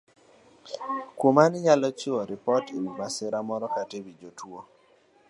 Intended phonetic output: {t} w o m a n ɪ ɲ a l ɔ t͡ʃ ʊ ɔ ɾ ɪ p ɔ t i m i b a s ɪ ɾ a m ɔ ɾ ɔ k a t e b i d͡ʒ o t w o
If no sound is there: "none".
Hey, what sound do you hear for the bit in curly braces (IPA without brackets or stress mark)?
k